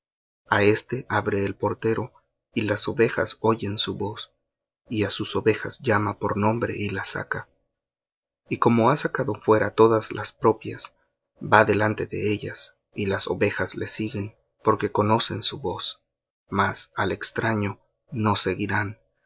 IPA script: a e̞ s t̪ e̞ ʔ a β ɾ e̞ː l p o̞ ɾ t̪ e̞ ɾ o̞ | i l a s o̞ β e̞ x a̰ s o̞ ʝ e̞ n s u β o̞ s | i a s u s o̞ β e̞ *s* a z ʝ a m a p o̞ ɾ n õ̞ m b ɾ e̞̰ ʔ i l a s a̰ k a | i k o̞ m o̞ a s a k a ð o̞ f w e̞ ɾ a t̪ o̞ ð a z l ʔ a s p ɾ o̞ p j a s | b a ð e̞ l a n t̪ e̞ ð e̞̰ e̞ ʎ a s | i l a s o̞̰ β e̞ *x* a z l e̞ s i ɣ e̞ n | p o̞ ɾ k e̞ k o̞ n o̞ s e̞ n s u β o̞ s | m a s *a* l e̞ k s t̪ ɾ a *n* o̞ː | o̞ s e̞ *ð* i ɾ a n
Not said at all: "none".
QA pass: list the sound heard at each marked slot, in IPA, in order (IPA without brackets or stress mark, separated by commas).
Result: x, x, a, ɲ, ɣ